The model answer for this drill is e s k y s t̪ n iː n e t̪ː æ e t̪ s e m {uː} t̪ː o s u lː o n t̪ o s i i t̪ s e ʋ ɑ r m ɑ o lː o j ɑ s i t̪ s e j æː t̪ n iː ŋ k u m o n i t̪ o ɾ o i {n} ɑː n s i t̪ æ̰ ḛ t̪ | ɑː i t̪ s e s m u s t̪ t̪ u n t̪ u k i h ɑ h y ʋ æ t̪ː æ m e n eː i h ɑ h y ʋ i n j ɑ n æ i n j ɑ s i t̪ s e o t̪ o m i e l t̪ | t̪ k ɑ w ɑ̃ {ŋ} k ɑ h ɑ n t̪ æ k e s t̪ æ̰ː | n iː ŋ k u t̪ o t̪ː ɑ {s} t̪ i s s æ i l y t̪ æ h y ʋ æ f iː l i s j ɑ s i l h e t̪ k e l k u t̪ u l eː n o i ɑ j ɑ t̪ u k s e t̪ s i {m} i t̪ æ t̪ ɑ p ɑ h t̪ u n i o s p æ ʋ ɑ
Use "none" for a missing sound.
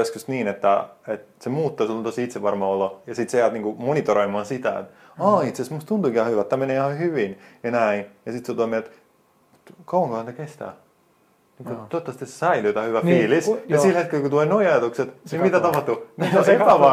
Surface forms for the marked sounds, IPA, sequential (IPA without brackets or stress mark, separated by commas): uː, m, ŋ, s, m